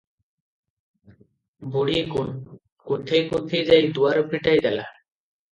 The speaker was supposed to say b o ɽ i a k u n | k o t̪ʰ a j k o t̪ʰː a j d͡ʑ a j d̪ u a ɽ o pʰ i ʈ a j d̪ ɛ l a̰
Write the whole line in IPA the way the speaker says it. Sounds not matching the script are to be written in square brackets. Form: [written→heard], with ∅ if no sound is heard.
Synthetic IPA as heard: b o ɽ i [a→e] k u n | k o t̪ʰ [a→e] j k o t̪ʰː [a→e] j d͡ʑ a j d̪ u a [ɽ→ɾ] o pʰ i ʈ a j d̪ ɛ l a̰